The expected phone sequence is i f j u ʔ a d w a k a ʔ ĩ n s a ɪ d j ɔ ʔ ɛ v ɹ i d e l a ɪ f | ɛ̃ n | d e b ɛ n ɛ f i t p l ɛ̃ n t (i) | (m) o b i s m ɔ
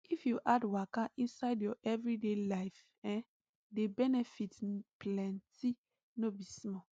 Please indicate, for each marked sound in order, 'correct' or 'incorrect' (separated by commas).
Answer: correct, incorrect